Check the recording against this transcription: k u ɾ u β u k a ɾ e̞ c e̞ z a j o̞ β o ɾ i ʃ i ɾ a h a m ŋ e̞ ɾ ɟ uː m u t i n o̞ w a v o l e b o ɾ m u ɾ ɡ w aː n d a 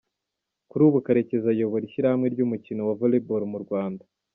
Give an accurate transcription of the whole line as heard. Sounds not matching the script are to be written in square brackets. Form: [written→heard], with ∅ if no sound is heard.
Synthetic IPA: k u ɾ u β u k a ɾ e̞ c e̞ z a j o̞ β o ɾ i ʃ i ɾ a h a m ŋ e̞ ɾ ɟ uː m u [t→c] i n o̞ w a v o l e b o ɾ m u ɾ ɡ w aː n d a